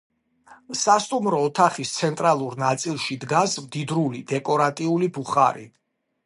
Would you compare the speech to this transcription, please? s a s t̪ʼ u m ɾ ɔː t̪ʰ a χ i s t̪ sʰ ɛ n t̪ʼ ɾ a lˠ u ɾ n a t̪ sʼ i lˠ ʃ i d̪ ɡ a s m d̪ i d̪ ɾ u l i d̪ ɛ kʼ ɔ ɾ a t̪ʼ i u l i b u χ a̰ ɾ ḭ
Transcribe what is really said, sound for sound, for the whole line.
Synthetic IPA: s a s t̪ʼ u m ɾ ɔː t̪ʰ a χ i s t̪ sʰ ɛ n t̪ʼ ɾ a lˠ u ɾ n a t̪ sʼ i lˠ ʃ i d̪ ɡ a s m d̪ i d̪ ɾ u l i d̪ ɛ kʼ ɔ ɾ a t̪ʼ i u l i b u χ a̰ ɾ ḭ

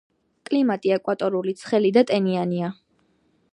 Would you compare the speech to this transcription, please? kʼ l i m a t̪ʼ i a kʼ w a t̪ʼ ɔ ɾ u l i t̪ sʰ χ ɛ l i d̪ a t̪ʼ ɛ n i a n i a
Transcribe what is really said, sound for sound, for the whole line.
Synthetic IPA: kʼ l i m a t̪ʼ i ɛ kʼ w a t̪ʼ ɔ ɾ u l i t̪ sʰ χ ɛ l i d̪ a t̪ʼ ɛ n i a n i a

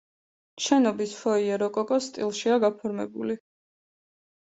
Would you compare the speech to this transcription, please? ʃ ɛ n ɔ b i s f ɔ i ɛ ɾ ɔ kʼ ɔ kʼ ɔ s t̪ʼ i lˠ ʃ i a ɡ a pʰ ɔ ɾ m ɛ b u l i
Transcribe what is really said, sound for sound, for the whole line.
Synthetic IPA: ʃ ɛ n ɔ b i s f ɔ i ɛ ɾ ɔ kʼ ɔ kʼ ɔ s t̪ʼ i lˠ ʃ i a ɡ a pʰ ɔ ɾ m ɛ b u l i

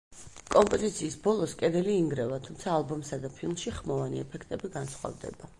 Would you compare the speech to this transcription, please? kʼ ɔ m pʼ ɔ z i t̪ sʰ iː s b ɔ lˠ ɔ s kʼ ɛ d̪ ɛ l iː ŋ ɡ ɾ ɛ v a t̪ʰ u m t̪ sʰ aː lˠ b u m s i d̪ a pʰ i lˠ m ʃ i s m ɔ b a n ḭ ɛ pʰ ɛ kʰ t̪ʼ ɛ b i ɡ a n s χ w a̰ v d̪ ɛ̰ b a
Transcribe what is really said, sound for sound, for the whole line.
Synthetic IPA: kʼ ɔ m pʼ ɔ z i t̪ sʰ iː s b ɔ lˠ ɔ s kʼ ɛ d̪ ɛ l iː ŋ ɡ ɾ ɛ v a t̪ʰ u m t̪ sʰ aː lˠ b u m s a d̪ a pʰ i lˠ m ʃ i χ m ɔ v a n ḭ ɛ pʰ ɛ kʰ t̪ʼ ɛ b i ɡ a n s χ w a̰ v d̪ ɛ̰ b a

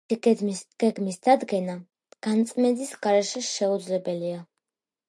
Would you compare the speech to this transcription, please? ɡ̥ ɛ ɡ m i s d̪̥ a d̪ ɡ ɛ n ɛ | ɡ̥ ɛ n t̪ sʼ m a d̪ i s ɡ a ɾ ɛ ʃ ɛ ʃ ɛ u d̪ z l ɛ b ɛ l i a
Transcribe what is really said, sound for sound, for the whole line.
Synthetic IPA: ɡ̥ ɛ ɡ m i s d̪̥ a d̪ ɡ ɛ n a | ɡ̥ a n t̪ sʼ m ɛ d̪ i s ɡ a ɾ ɛ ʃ ɛ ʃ ɛ u d̪ z l ɛ b ɛ l i a

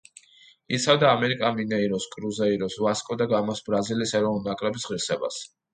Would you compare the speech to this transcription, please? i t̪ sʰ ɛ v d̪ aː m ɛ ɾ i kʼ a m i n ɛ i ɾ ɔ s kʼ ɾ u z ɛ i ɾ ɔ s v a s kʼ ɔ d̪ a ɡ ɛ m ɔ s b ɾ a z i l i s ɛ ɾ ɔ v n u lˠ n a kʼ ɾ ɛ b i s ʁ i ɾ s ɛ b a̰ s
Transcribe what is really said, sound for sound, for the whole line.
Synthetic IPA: i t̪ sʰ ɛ v d̪ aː m ɛ ɾ i kʼ a m i n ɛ i ɾ ɔ s kʼ ɾ u z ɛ i ɾ ɔ s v a s kʼ ɔ d̪ a ɡ a m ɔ s b ɾ a z i l i s ɛ ɾ ɔ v n u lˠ n a kʼ ɾ ɛ b i s ʁ i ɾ s ɛ b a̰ s

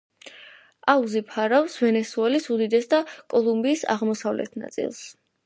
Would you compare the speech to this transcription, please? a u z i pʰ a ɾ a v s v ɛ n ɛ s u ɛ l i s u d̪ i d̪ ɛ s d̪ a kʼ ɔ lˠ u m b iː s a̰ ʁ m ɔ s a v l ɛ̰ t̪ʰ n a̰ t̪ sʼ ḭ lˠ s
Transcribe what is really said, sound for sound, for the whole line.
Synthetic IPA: a u z i pʰ a ɾ a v s v ɛ n ɛ s u ɛ l i s u d̪ i d̪ ɛ s d̪ a kʼ ɔ lˠ u m b iː s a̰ ʁ m ɔ s a v l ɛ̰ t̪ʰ n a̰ t̪ sʼ ḭ lˠ s

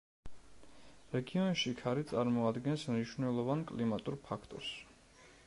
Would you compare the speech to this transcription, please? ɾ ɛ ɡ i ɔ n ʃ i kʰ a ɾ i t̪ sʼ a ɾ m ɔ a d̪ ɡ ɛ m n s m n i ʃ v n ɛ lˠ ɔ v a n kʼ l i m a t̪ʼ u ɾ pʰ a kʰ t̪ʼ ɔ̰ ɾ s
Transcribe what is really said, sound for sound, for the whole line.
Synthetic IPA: ɾ ɛ ɡ i ɔ n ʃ i kʰ a ɾ i t̪ sʼ a ɾ m ɔ a d̪ ɡ ɛ n s m n i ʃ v n ɛ lˠ ɔ v a n kʼ l i m a t̪ʼ u ɾ pʰ a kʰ t̪ʼ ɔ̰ ɾ s

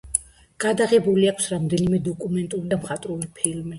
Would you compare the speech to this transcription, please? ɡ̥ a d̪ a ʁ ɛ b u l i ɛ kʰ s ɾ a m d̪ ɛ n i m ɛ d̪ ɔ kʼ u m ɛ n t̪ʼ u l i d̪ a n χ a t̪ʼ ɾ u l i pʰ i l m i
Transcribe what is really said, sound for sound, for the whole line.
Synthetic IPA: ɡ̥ a d̪ a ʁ ɛ b u l i a kʰ s ɾ a m d̪ ɛ n i m ɛ d̪ ɔ kʼ u m ɛ n t̪ʼ u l i d̪ a m χ a t̪ʼ ɾ u l i pʰ i l m i

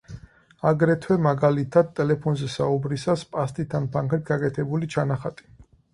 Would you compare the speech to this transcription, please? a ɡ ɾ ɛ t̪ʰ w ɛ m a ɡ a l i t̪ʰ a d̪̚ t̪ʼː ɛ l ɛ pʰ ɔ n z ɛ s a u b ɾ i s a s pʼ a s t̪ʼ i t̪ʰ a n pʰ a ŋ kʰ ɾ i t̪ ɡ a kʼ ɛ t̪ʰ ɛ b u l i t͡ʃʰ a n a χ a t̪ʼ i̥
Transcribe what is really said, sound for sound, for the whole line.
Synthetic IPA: a ɡ ɾ ɛ t̪ʰ w ɛ m a ɡ a l i t̪ʰ a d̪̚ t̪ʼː ɛ l ɛ pʰ ɔ n z ɛ s a u b ɾ i s a s pʼ a s t̪ʼ i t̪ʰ a n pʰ a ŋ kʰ ɾ i t̪ ɡ a kʼ ɛ t̪ʰ ɛ b u l i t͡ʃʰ a n a χ a t̪ʼ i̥

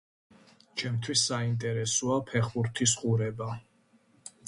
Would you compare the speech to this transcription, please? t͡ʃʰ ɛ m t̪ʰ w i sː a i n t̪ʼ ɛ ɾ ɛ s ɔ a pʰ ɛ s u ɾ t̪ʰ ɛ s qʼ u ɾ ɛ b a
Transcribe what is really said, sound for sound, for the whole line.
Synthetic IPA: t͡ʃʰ ɛ m t̪ʰ w i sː a i n t̪ʼ ɛ ɾ ɛ s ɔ a pʰ ɛ χ u ɾ t̪ʰ i s qʼ u ɾ ɛ b a

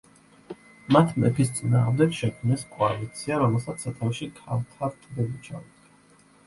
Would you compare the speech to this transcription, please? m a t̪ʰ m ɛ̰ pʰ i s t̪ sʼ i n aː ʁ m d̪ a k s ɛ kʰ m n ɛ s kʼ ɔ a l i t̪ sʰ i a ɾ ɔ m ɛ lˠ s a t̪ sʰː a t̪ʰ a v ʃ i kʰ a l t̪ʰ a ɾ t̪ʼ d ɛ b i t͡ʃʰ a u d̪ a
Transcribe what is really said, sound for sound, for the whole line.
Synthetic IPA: m a t̪ʰ m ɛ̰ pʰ i s t̪ sʼ i n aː ʁ m d̪ ɛ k ʃ ɛ kʰ m n ɛ s kʼ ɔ a l i t̪ sʰ i a ɾ ɔ m ɛ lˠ s a t̪ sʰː a t̪ʰ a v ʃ i kʰ a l t̪ʰ a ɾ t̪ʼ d ɛ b i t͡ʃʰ a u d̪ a

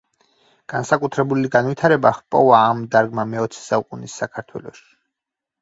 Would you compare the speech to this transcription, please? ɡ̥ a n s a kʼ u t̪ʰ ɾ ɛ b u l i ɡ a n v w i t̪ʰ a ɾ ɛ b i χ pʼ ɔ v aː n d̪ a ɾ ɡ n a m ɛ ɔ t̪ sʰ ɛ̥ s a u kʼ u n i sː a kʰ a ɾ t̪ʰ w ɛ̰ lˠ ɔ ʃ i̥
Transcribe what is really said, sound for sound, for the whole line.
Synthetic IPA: ɡ̥ a n s a kʼ u t̪ʰ ɾ ɛ b u l i ɡ a n v w i t̪ʰ a ɾ ɛ b a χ pʼ ɔ v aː m d̪ a ɾ ɡ m a m ɛ ɔ t̪ sʰ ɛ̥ s a u kʼ u n i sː a kʰ a ɾ t̪ʰ w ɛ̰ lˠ ɔ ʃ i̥

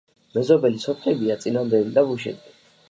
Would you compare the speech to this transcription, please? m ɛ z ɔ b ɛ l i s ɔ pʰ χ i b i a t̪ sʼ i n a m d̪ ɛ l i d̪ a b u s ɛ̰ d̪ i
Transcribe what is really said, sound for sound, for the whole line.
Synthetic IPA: m ɛ z ɔ b ɛ l i s ɔ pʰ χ ɛ b i a t̪ sʼ i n a m d̪ ɛ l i d̪ a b u ʃ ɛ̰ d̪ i

